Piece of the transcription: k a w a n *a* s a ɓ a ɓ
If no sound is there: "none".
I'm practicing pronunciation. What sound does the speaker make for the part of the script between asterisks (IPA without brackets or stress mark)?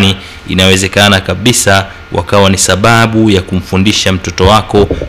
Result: i